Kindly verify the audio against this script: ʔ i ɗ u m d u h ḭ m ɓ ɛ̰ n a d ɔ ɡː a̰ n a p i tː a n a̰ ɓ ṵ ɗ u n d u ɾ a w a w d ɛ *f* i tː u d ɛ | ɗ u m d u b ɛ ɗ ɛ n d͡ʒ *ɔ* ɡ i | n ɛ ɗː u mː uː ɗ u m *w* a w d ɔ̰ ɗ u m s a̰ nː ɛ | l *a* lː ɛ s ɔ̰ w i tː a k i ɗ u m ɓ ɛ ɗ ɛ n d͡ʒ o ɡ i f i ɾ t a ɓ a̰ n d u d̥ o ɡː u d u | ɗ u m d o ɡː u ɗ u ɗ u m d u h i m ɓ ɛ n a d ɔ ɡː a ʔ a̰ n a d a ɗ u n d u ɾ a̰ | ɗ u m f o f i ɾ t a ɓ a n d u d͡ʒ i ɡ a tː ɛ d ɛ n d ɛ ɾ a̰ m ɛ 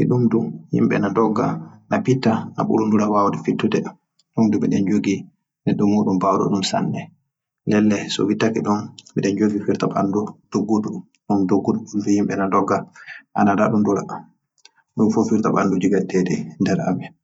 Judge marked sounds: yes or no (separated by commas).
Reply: yes, no, no, no